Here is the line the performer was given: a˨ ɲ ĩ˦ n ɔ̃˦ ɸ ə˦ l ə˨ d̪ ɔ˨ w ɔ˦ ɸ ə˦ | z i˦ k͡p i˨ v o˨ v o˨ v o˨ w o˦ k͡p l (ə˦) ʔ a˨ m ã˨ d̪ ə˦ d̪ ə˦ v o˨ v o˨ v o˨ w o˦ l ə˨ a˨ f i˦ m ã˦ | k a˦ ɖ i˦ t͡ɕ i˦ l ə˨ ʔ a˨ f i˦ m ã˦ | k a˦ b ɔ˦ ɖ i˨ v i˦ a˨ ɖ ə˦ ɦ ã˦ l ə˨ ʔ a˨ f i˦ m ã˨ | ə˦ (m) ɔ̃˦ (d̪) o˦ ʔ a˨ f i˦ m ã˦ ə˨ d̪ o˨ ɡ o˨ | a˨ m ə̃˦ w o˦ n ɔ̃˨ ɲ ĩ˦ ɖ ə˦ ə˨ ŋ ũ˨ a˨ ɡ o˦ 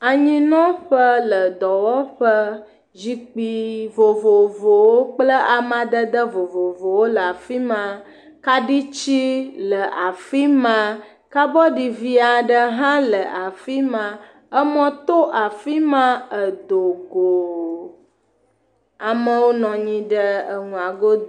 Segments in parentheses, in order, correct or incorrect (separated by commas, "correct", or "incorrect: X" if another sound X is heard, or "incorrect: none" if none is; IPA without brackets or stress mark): correct, correct, incorrect: t̪